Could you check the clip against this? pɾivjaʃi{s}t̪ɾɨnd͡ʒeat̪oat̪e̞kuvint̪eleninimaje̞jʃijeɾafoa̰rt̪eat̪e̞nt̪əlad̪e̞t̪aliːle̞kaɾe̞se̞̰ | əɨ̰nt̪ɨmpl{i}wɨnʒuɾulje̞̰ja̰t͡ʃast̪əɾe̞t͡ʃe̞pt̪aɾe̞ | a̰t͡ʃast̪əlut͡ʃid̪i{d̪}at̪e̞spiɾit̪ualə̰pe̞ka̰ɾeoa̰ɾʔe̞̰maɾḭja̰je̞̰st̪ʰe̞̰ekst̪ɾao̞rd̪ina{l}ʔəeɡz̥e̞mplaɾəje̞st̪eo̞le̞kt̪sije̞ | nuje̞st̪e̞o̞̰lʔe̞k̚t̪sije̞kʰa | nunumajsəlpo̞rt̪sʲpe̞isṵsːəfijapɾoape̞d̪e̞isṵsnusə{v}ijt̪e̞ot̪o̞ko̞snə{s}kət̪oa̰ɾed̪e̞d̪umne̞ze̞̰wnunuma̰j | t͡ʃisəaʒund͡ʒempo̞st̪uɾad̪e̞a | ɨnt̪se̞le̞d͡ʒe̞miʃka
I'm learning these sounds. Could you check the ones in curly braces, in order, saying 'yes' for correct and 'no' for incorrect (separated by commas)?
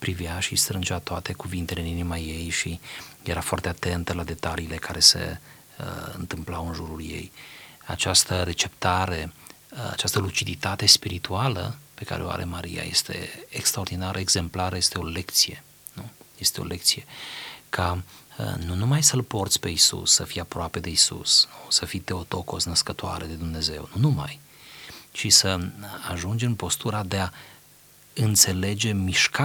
yes, no, no, no, no, yes